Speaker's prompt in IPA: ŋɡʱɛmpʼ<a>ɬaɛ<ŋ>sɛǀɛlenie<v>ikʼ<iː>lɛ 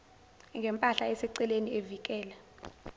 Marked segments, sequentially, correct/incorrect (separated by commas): correct, incorrect, correct, incorrect